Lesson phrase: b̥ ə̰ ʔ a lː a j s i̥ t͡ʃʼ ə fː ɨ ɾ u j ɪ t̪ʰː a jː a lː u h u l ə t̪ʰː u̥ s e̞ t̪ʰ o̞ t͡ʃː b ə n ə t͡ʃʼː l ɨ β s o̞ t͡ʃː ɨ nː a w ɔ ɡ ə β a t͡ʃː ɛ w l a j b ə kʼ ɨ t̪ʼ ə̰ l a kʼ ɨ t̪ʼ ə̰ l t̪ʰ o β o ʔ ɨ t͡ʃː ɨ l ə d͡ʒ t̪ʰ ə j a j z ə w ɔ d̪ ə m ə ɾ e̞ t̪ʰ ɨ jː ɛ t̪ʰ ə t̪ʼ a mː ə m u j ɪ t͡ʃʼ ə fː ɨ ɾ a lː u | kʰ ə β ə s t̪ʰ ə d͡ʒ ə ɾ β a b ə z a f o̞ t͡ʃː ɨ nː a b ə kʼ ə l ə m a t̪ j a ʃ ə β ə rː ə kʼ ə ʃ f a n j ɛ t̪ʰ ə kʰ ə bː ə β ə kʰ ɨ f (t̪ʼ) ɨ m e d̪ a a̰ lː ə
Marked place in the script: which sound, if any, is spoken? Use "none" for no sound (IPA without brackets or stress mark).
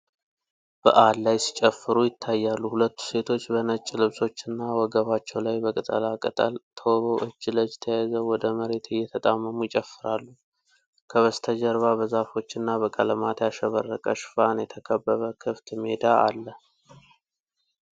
t̪